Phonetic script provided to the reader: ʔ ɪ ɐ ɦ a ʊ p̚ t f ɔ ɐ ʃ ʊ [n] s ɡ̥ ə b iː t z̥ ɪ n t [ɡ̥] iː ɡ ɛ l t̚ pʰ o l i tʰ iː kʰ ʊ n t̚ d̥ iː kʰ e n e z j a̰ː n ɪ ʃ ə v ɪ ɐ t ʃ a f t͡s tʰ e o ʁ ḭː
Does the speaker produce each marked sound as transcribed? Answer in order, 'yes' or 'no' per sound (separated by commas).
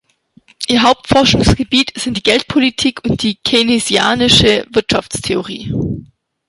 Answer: no, no